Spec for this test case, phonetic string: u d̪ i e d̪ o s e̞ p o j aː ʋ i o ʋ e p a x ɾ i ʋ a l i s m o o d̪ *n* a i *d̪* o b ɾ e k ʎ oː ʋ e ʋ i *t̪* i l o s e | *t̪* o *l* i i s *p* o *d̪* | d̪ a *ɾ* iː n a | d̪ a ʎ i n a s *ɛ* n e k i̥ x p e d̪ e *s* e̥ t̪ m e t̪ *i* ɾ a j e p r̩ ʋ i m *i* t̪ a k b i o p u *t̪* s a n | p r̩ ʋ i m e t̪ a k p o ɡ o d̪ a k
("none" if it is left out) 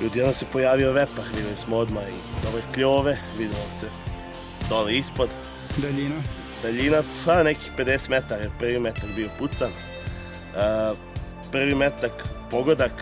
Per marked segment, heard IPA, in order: m, d̪, d̪, d̪, l, p, d̪, ʎ, a, s, a, e, t̪

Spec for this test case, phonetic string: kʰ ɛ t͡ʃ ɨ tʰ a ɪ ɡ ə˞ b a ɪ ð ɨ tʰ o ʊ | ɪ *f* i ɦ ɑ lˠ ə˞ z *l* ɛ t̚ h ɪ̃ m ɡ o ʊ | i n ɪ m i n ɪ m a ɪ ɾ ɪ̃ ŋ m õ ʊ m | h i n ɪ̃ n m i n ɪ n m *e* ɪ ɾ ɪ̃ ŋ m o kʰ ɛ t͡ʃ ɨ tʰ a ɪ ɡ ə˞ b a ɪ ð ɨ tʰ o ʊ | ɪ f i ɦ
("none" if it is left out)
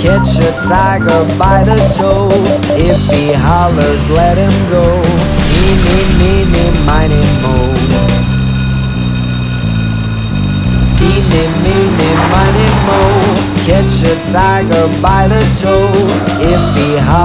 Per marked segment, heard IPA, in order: f, l, a

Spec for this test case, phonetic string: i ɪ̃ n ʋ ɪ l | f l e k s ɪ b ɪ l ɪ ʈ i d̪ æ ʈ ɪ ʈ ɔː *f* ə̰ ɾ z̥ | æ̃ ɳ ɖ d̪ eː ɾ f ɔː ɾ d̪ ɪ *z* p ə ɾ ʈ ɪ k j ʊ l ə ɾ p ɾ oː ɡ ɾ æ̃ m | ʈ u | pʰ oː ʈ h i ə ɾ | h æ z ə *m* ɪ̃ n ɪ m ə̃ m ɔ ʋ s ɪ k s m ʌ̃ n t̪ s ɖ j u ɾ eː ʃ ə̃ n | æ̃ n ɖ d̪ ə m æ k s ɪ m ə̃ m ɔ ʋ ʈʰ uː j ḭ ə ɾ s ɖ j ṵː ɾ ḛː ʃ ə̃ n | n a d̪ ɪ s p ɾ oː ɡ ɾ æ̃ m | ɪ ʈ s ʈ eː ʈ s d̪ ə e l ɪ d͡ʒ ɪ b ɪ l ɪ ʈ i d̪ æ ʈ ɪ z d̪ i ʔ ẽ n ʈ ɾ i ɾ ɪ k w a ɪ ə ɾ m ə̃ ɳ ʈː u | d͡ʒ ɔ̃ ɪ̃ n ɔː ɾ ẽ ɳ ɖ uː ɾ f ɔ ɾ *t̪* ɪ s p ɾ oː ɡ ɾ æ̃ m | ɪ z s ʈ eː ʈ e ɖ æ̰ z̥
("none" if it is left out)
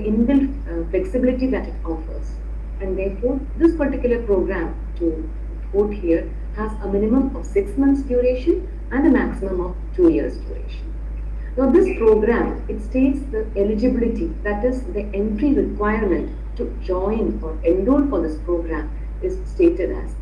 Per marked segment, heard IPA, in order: f, s, m, d̪

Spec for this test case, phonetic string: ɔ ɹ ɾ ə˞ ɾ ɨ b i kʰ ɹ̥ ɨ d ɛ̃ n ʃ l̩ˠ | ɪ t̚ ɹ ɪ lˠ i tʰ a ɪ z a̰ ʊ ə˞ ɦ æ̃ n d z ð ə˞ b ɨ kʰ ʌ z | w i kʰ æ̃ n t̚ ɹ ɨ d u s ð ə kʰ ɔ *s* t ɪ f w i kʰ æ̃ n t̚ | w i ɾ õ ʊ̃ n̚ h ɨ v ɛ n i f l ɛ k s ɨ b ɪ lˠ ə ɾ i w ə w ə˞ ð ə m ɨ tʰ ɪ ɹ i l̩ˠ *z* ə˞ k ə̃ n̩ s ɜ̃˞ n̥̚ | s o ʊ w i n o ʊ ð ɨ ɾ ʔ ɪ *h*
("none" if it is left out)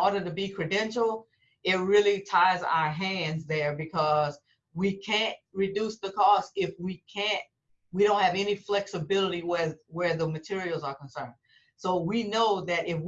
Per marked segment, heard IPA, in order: s, z, f

